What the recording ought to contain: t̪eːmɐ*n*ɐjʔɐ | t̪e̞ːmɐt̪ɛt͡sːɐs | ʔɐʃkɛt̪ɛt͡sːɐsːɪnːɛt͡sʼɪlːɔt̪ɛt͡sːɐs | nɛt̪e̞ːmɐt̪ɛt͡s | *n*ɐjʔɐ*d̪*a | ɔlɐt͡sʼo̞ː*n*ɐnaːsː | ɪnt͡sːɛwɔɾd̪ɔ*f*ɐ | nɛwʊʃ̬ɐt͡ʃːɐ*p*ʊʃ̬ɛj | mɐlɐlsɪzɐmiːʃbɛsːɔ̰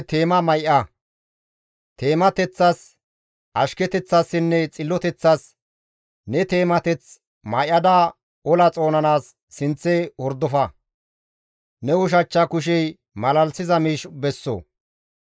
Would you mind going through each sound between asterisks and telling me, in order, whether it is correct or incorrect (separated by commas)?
incorrect, incorrect, correct, correct, correct, incorrect